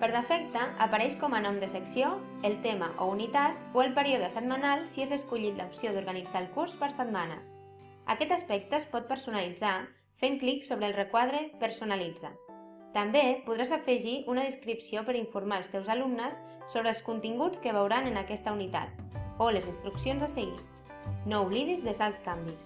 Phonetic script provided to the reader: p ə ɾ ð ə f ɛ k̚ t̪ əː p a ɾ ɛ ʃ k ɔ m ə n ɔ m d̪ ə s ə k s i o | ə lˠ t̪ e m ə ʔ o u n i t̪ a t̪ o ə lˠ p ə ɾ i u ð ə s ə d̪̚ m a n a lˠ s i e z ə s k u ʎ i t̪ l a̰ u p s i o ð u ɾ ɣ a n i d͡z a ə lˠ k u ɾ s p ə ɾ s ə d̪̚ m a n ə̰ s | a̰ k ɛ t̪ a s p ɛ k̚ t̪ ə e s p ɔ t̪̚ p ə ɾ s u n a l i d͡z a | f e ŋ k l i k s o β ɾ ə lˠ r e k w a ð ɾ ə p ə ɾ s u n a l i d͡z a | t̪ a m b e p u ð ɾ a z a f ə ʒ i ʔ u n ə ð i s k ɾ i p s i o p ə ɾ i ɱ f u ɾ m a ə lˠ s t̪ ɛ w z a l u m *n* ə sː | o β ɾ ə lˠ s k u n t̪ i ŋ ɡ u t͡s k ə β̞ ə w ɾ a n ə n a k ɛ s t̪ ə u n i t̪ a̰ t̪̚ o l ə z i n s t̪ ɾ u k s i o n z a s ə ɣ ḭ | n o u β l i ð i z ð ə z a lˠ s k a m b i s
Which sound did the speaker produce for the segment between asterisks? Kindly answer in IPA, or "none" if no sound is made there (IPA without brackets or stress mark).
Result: n